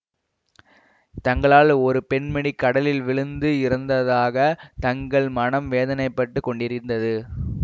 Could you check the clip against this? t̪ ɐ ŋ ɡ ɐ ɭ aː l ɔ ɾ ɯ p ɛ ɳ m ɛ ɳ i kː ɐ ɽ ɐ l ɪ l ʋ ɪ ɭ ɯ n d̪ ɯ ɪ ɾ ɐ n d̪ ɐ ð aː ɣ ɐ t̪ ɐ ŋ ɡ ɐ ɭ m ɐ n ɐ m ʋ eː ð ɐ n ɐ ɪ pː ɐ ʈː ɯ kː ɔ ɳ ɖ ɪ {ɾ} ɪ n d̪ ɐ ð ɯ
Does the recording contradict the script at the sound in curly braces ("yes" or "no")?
no